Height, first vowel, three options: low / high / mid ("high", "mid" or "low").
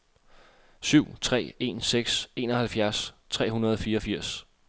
high